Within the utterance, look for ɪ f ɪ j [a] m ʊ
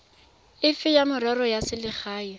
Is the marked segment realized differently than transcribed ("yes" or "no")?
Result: no